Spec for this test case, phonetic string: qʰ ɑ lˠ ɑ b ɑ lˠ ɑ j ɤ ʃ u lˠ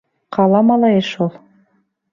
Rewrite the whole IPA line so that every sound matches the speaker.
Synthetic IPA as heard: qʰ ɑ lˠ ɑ m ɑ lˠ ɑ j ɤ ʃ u lˠ